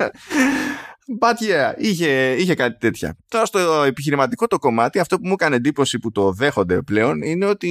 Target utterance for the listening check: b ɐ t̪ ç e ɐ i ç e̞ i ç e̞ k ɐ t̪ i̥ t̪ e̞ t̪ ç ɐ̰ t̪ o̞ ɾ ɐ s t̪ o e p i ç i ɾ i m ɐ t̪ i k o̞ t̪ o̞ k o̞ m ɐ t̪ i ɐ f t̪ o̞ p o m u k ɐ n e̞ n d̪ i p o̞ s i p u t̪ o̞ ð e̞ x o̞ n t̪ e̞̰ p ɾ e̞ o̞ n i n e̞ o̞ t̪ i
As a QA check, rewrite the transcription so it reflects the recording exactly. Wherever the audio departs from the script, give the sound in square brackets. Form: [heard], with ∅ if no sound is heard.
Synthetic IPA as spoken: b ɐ t̪ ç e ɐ i ç e̞ i ç e̞ k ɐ t̪ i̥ t̪ e̞ t̪ ç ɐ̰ t̪ o̞ ɾ ɐ s t̪ o e p i ç i ɾ i m ɐ t̪ i k o̞ t̪ o̞ k o̞ m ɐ t̪ i ɐ f t̪ o̞ p [u] m u k ɐ n e̞ n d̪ i p o̞ s i p u t̪ o̞ ð e̞ x o̞ n [d̪] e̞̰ p [l] e̞ o̞ n i n e̞ o̞ t̪ i